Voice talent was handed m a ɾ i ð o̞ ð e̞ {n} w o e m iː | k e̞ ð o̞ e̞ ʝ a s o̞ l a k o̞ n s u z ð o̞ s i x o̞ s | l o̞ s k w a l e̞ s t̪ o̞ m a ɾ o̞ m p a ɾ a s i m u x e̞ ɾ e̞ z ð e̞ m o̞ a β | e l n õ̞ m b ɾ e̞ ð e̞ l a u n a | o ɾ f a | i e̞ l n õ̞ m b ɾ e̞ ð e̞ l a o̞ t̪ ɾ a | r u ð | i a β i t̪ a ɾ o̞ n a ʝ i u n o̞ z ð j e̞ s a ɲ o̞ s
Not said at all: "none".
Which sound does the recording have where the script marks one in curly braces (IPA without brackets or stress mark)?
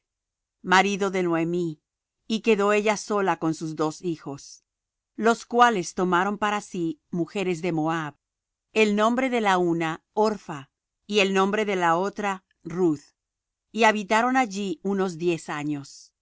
n